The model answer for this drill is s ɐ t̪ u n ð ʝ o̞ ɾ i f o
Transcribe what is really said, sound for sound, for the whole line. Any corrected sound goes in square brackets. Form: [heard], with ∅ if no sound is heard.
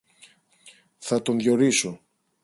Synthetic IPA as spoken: [θ] ɐ t̪ [o] n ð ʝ o̞ ɾ i [s] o